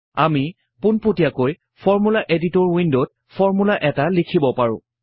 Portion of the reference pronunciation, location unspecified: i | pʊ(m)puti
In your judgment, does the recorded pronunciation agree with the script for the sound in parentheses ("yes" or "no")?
no